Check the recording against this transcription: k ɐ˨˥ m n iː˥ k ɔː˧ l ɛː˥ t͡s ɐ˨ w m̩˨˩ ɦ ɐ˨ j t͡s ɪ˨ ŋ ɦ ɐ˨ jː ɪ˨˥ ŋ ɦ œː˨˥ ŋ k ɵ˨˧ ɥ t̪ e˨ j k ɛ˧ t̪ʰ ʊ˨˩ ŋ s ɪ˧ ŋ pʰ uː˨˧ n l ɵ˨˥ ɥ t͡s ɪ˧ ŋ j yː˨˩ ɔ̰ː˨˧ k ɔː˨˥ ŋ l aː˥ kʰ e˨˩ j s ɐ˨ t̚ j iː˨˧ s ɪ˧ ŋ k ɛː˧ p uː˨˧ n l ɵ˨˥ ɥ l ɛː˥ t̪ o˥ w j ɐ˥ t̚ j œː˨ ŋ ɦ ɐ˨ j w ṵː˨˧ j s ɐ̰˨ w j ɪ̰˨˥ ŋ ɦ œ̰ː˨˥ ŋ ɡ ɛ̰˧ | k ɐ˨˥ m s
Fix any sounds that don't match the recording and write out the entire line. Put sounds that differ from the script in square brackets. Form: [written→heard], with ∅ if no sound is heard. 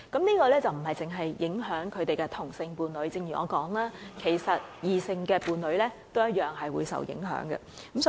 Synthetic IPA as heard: k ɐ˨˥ m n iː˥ k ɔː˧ l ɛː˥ t͡s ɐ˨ w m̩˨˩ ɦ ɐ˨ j t͡s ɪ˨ ŋ ɦ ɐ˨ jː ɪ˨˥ ŋ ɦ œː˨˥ ŋ [k→kʰ] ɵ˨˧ ɥ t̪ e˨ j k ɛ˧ t̪ʰ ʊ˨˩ ŋ s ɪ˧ ŋ [pʰ→p] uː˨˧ n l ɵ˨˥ ɥ t͡s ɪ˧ ŋ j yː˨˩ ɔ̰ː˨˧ k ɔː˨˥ ŋ l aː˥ kʰ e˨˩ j s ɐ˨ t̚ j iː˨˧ s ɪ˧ ŋ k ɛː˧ p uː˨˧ n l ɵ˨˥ ɥ l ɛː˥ t̪ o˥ w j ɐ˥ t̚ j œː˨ ŋ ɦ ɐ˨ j w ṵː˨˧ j s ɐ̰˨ w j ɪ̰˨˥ ŋ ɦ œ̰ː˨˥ ŋ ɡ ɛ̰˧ | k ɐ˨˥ m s